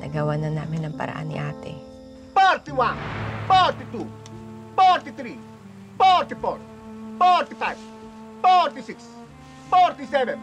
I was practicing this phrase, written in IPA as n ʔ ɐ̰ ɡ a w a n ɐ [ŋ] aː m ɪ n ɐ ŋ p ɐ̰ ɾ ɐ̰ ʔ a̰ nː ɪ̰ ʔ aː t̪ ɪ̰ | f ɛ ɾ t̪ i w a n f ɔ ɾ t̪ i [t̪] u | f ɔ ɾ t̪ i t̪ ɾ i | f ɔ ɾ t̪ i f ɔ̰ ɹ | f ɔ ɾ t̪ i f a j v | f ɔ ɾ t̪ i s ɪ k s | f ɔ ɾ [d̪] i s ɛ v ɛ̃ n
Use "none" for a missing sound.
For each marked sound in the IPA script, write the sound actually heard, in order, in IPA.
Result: n, t̪, t̪

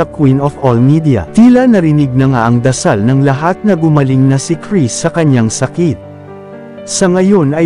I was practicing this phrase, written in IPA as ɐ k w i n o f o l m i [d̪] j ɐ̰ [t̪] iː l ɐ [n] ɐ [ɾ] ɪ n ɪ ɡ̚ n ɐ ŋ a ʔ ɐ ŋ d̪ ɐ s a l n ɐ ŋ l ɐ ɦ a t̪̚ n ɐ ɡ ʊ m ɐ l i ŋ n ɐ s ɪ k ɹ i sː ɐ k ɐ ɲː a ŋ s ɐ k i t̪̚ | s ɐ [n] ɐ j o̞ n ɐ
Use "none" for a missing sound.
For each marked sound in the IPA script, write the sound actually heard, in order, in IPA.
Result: d̪, t̪, n, ɾ, ŋ

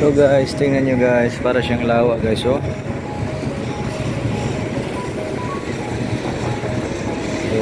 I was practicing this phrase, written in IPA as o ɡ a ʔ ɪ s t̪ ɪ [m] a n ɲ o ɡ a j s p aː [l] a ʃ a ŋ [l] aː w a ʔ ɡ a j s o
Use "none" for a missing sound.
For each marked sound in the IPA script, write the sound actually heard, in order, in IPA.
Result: ŋ, ɾ, l

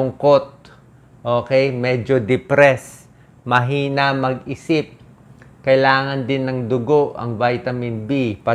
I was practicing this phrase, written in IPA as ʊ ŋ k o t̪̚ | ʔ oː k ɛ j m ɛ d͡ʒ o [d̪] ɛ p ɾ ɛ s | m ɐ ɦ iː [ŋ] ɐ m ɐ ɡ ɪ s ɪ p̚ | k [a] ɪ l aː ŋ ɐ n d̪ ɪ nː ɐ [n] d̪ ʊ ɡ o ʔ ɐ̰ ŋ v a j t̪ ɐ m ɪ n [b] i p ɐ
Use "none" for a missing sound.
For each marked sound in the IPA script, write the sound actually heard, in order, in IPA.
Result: d̪, n, ɐ, ŋ, b

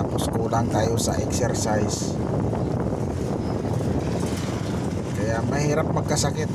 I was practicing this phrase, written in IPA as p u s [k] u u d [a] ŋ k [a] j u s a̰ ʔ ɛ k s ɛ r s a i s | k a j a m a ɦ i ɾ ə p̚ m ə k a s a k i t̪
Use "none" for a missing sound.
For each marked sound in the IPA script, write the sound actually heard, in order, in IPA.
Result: k, a, a

